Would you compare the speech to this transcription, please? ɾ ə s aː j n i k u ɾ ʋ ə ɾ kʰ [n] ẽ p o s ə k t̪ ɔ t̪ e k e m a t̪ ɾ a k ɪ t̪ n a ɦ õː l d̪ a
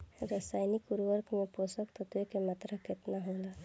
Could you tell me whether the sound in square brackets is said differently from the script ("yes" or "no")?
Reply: yes